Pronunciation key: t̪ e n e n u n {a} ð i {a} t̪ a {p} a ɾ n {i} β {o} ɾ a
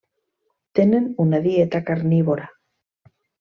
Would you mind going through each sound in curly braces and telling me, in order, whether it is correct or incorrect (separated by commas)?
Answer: correct, incorrect, incorrect, correct, correct